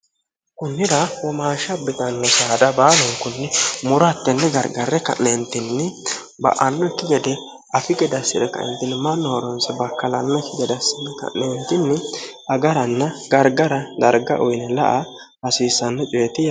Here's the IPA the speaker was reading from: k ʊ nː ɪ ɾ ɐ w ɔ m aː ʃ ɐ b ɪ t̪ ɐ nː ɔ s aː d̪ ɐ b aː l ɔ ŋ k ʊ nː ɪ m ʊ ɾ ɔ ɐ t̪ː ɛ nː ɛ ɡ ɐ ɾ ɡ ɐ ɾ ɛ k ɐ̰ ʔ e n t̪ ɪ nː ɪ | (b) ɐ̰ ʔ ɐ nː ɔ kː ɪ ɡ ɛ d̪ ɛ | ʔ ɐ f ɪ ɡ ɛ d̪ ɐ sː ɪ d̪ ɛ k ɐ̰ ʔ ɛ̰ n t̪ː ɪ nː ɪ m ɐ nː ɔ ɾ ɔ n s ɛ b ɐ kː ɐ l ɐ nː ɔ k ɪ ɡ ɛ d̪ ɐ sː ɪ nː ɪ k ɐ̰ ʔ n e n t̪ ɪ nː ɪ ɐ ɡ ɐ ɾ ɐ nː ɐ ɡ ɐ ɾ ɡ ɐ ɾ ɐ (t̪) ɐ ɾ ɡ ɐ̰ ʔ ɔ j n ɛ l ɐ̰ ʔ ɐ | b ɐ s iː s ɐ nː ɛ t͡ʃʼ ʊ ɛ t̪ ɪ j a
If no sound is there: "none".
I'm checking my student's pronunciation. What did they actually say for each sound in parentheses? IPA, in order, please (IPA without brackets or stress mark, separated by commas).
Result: b, d̪